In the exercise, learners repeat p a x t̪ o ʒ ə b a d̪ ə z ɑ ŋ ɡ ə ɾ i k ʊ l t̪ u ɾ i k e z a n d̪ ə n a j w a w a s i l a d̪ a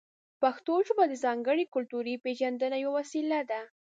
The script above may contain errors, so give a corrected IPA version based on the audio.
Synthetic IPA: p a x t̪ o ʒ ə b a d̪ ə z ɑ ŋ ɡ ə ɽ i k ʊ l t̪ u ɾ i p e ʒ a n d̪ ə n a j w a w a s i l a d̪ a